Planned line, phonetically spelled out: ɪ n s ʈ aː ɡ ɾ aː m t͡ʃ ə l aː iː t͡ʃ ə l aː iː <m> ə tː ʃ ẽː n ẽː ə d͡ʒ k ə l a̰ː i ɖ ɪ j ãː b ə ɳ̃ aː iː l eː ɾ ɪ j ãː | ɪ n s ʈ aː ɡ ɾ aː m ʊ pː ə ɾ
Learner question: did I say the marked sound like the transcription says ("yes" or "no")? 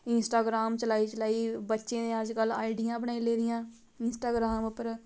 no